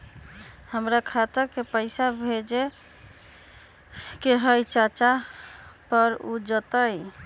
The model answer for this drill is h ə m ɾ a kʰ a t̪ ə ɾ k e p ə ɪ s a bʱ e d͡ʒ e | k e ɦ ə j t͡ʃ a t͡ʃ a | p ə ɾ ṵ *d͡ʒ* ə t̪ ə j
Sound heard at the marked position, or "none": d͡ʒ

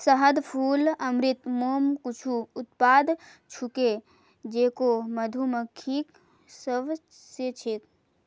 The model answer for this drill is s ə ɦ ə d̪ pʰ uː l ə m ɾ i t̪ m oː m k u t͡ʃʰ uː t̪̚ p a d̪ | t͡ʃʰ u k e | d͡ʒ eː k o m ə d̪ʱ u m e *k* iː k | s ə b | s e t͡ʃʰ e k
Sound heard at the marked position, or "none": kʰ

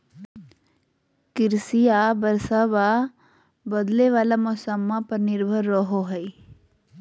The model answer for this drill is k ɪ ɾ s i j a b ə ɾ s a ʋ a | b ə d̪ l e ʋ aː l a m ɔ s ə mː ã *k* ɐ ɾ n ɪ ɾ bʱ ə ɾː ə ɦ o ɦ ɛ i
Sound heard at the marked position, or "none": p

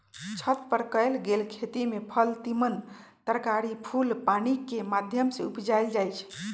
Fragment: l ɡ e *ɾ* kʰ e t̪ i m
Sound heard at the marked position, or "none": l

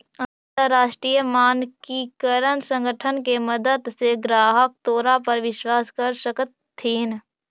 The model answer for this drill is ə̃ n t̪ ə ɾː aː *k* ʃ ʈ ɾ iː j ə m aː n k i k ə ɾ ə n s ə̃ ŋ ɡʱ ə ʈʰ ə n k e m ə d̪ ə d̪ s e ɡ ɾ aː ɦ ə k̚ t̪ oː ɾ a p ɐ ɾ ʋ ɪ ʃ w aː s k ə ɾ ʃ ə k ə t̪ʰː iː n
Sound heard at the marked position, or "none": none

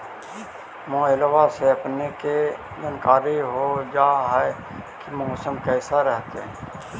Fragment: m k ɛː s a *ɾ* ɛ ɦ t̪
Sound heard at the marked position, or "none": ɾ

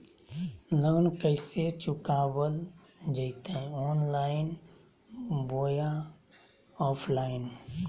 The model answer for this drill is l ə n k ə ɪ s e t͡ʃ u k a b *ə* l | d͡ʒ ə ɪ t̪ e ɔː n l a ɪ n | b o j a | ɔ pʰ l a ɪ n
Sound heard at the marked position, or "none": ə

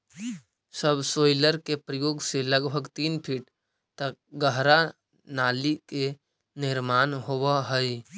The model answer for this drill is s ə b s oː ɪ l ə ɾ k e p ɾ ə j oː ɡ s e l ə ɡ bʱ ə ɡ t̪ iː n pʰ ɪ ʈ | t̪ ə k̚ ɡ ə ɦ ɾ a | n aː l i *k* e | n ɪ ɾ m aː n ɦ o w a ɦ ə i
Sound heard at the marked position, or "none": k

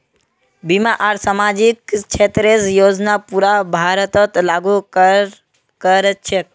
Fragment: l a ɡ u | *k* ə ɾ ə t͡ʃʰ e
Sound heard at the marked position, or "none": k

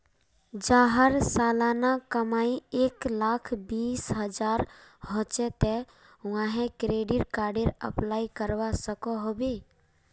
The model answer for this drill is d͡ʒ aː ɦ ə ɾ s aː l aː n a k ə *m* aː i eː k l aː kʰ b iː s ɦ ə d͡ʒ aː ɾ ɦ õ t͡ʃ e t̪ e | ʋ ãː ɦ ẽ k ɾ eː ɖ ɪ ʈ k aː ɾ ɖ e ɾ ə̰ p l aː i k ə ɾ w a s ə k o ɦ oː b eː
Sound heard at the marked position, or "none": m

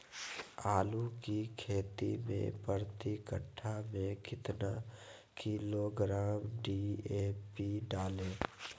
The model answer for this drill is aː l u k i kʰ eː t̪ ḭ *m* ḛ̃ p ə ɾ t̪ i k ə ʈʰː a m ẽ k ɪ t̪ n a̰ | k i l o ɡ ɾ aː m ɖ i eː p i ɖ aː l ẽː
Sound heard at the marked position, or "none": m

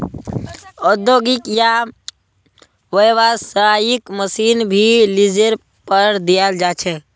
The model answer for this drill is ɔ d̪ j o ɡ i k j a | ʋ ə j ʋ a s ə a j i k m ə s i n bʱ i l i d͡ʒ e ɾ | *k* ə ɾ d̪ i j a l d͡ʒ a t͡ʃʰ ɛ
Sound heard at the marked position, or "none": p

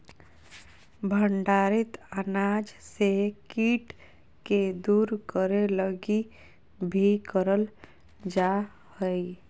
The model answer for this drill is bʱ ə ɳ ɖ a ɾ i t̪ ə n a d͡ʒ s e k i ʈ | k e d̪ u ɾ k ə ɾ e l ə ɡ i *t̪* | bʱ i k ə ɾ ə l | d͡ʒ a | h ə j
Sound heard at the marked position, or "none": none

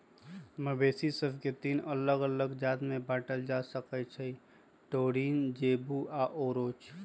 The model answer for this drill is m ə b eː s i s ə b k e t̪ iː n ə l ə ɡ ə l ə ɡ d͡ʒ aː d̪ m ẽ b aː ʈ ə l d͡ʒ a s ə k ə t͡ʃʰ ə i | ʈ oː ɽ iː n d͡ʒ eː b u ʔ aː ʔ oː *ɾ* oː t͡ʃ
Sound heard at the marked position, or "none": ɾ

